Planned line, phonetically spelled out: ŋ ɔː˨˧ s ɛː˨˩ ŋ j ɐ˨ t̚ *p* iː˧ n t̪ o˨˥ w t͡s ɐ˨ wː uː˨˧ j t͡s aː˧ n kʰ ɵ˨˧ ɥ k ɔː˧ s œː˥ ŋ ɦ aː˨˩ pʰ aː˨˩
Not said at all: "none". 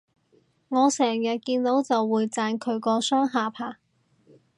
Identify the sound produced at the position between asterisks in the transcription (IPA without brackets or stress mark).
k